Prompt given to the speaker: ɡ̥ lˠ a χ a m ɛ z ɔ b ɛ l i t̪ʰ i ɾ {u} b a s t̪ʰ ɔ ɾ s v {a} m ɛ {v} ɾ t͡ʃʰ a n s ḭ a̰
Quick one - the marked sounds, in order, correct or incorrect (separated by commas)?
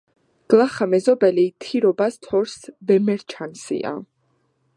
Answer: incorrect, incorrect, incorrect